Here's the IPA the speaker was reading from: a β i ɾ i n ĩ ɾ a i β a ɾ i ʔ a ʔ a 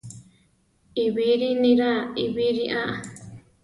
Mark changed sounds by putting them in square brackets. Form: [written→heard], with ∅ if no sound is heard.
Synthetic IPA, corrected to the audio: [a→i] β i ɾ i n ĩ ɾ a i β [a→i] ɾ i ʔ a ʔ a